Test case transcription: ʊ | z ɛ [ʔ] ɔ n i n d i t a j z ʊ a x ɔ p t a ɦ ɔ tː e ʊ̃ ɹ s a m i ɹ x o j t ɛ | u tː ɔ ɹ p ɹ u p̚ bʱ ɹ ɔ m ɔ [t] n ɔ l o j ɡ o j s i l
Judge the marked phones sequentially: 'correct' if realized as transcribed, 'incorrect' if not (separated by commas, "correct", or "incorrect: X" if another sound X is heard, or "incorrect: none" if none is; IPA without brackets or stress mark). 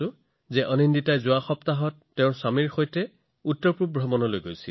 correct, incorrect: none